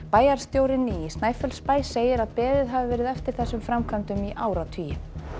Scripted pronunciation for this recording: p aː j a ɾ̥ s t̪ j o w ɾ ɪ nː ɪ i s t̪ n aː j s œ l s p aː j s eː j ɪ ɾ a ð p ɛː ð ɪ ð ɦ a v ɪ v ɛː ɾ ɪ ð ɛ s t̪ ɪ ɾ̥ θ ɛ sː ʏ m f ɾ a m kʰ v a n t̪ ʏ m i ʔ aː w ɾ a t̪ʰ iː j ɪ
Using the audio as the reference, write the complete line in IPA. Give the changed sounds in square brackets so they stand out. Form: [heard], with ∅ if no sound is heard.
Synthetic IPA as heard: p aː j a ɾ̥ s t̪ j o w ɾ ɪ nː ɪ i s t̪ n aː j [f] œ l s p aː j s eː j ɪ ɾ a ð p ɛː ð ɪ ð ɦ a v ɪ v ɛː ɾ ɪ ð ɛ [f] t̪ ɪ ɾ̥ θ ɛ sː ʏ m f ɾ a m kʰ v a n t̪ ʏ m i ʔ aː w ɾ a t̪ʰ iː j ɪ